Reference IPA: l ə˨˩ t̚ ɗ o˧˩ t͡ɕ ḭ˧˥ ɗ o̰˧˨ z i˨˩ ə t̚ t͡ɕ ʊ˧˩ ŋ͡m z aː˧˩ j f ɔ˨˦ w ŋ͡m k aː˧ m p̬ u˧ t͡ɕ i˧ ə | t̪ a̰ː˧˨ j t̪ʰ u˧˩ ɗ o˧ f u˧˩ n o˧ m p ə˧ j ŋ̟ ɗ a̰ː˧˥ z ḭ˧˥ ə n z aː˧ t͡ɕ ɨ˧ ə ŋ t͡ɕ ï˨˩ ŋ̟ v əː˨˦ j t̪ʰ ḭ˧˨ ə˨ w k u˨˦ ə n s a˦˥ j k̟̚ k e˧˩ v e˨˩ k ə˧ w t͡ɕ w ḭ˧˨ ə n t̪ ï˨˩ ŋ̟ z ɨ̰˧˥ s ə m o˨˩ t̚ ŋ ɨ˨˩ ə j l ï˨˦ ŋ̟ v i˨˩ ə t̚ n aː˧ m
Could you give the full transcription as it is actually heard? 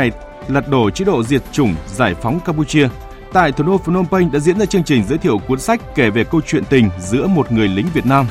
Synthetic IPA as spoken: l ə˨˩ t̚ ɗ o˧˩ t͡ɕ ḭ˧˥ ɗ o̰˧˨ z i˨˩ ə t̚ t͡ɕ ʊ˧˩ ŋ͡m z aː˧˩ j f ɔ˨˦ w ŋ͡m k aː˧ m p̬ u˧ t͡ɕ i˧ ə | t̪ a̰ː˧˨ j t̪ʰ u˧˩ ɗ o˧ f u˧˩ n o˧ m p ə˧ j ŋ̟ ɗ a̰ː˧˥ z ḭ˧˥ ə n z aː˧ t͡ɕ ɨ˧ ə ŋ t͡ɕ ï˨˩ ŋ̟ z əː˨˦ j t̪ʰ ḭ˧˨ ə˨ w k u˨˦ ə n s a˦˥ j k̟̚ k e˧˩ v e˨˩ k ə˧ w t͡ɕ w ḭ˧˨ ə n t̪ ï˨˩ ŋ̟ z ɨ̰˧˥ ə m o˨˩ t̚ ŋ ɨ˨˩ ə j l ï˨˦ ŋ̟ v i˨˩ ə t̚ n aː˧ m